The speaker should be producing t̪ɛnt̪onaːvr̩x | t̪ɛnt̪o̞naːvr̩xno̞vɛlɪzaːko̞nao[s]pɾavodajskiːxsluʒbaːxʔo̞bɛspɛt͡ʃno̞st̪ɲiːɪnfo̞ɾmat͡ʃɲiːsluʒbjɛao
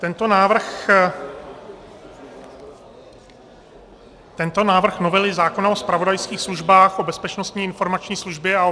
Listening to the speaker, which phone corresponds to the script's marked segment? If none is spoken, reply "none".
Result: s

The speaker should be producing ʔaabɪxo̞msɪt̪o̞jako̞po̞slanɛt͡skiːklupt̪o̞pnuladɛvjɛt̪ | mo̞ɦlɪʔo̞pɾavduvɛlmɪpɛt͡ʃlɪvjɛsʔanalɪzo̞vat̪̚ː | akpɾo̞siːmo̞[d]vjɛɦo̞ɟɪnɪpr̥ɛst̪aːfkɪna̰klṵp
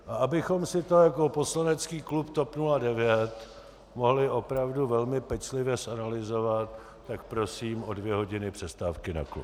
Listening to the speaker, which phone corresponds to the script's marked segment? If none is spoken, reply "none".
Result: d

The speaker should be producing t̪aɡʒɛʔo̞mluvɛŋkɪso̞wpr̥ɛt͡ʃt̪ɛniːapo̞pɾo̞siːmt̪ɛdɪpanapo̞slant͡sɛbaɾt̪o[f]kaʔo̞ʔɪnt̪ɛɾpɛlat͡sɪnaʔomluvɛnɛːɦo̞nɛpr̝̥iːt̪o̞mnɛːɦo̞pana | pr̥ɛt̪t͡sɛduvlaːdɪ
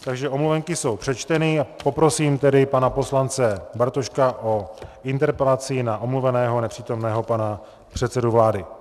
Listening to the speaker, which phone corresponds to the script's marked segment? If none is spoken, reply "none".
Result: ʃ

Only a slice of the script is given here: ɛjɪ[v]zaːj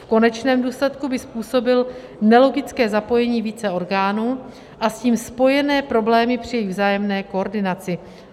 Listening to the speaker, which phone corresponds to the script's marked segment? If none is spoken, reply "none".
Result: v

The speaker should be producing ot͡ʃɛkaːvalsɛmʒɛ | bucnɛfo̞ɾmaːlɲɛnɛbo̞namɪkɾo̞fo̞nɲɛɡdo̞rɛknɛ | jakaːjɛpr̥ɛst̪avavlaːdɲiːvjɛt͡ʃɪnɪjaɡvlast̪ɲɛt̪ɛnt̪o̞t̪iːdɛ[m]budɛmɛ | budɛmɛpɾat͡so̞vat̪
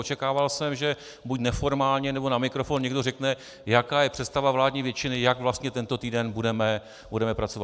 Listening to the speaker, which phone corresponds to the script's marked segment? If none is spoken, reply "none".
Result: n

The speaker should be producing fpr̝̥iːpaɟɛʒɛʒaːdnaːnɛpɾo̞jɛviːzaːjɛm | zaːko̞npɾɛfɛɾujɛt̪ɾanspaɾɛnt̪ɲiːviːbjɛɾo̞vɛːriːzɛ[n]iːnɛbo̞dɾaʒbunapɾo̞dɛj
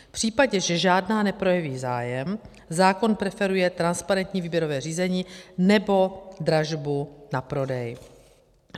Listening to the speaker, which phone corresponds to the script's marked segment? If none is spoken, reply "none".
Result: ɲ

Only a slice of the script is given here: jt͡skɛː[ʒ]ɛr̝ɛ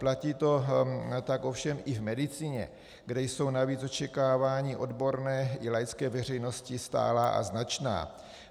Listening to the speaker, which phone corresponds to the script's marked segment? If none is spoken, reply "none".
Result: v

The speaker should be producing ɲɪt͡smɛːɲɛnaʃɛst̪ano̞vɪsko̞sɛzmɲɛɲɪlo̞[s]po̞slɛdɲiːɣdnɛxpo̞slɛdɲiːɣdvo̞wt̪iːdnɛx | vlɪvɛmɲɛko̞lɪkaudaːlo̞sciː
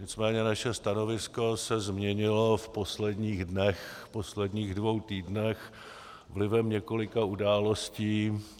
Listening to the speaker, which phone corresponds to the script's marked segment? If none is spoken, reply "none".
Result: f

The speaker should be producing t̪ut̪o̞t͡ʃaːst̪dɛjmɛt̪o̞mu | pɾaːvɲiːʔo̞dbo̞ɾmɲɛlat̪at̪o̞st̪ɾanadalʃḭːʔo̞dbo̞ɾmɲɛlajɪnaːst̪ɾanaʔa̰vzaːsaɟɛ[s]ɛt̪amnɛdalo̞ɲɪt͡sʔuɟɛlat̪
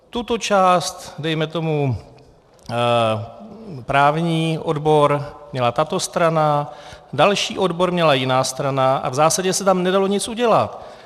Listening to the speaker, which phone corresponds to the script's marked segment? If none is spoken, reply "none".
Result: s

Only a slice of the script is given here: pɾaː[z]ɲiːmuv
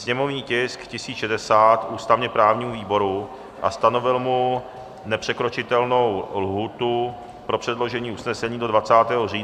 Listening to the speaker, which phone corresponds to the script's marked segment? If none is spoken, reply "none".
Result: v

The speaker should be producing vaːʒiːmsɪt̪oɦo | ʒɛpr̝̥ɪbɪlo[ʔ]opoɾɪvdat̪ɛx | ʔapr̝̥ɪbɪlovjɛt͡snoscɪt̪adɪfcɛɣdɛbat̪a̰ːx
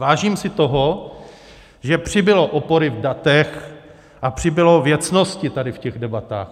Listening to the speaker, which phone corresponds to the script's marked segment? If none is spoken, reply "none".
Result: ʔ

